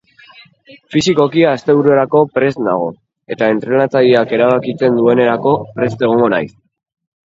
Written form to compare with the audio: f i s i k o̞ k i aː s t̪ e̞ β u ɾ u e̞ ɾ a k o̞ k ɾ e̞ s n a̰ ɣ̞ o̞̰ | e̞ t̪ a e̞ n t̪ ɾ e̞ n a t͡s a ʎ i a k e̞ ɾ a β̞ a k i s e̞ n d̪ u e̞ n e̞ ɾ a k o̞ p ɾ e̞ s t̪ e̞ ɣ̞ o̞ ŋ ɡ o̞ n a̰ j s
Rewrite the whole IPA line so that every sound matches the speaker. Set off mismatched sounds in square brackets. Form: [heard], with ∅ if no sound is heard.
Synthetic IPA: f i s i k o̞ k i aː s t̪ e̞ β u ɾ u e̞ ɾ a k o̞ [p] ɾ e̞ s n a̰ ɣ̞ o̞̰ | e̞ t̪ a e̞ n t̪ ɾ e̞ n a t͡s a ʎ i a k e̞ ɾ a β̞ a k i [t͡s] e̞ n d̪ u e̞ n e̞ ɾ a k o̞ p ɾ e̞ s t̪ e̞ ɣ̞ o̞ ŋ ɡ o̞ n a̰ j s